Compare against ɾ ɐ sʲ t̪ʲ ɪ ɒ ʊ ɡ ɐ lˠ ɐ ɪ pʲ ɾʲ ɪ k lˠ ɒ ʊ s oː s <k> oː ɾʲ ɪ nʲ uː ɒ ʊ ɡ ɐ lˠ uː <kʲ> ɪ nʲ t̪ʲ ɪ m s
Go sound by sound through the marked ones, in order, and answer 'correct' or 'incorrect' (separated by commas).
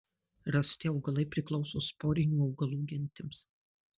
incorrect, incorrect